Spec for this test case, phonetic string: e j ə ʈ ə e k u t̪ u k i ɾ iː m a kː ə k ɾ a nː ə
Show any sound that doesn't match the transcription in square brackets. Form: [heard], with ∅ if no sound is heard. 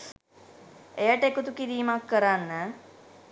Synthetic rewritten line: e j ə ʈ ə e k u t̪ u k i ɾ iː m a kː ə [∅] ɾ a nː ə